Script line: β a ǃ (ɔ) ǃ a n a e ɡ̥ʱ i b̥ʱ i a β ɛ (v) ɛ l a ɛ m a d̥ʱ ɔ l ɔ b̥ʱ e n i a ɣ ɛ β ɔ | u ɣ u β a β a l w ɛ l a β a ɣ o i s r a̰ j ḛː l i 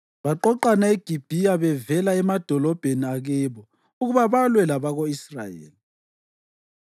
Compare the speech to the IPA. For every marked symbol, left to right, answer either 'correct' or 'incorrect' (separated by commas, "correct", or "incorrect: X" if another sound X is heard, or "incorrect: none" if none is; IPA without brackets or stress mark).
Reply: correct, correct